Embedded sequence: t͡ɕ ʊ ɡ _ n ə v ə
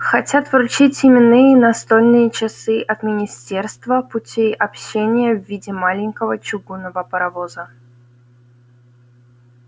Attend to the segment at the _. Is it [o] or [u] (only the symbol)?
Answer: u